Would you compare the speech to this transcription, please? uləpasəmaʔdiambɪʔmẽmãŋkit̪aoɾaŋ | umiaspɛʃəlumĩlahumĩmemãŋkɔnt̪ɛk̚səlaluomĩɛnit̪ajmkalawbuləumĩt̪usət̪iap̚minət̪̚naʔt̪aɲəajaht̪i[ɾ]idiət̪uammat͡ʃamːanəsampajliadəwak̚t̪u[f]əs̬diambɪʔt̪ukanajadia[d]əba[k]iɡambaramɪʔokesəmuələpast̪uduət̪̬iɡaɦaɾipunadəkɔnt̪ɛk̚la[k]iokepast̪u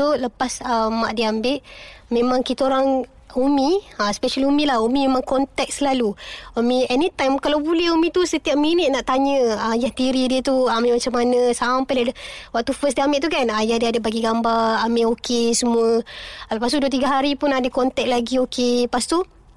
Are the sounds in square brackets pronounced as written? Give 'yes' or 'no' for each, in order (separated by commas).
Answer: yes, yes, yes, no, no